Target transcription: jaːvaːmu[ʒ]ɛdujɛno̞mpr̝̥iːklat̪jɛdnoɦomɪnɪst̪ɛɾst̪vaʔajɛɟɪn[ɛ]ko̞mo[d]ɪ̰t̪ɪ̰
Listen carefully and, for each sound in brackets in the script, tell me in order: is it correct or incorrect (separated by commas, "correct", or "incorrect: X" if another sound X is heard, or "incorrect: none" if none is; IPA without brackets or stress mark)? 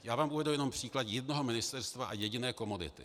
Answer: incorrect: v, incorrect: ɛː, correct